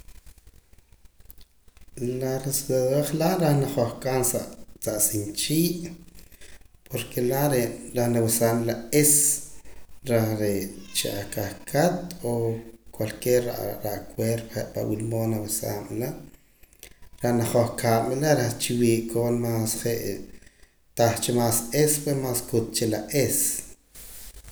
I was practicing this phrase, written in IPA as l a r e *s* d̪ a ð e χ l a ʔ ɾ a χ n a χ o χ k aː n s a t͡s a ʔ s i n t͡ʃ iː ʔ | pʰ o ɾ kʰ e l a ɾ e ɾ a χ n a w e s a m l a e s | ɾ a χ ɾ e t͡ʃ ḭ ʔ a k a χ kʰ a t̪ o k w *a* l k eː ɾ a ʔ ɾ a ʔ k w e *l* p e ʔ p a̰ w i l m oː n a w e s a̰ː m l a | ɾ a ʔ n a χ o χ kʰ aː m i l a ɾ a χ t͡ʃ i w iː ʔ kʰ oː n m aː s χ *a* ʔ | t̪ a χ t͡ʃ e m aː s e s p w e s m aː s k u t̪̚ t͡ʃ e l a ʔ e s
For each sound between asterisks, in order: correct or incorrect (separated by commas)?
correct, correct, incorrect, incorrect